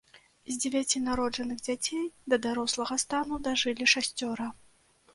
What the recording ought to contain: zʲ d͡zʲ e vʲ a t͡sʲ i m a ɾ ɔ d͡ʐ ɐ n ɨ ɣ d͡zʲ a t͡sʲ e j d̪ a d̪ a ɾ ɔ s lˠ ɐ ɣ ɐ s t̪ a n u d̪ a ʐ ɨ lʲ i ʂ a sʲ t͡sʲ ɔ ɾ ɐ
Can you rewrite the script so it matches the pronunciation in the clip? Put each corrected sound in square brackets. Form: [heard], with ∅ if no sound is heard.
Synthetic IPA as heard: zʲ d͡zʲ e vʲ a t͡sʲ i [n] a ɾ ɔ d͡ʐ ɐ n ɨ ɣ d͡zʲ a t͡sʲ e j d̪ [ɐ] d̪ a ɾ ɔ s lˠ ɐ ɣ ɐ s t̪ a n u d̪ a ʐ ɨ lʲ i ʂ a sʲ t͡sʲ ɔ ɾ ɐ